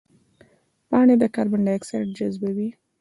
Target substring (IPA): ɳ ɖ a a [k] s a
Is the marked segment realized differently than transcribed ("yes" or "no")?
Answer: no